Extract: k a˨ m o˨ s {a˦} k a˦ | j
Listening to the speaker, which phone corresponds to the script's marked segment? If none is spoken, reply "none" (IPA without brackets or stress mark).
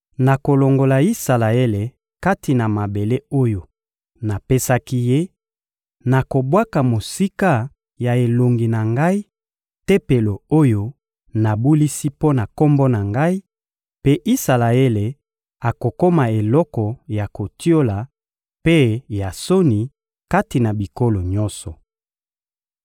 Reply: i˦